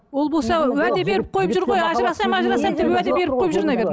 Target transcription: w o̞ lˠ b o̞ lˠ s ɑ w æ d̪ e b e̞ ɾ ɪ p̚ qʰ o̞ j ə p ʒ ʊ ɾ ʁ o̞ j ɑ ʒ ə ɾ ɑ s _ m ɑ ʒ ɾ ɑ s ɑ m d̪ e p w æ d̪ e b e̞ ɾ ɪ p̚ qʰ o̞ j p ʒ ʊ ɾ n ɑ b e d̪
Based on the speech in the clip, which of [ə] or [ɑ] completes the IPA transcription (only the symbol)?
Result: ɑ